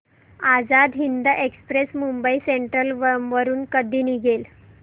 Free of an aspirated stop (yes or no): yes